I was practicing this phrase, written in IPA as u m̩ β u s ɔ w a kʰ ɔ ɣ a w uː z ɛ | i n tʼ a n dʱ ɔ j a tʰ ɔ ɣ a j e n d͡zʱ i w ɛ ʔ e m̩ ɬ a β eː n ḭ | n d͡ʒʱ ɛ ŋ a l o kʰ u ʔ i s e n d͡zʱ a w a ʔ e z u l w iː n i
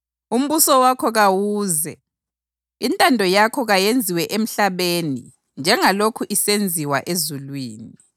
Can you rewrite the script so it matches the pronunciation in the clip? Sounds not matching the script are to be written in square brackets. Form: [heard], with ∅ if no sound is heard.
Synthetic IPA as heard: u m̩ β u s ɔ w a kʰ ɔ ɣ a w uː z ɛ | i n tʼ a n dʱ ɔ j a [kʰ] ɔ ɣ a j e n d͡zʱ i w ɛ ʔ e m̩ ɬ a β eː n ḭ | n d͡ʒʱ ɛ ŋ a l o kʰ u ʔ i s e n d͡zʱ [i] w a ʔ e z u l w iː n i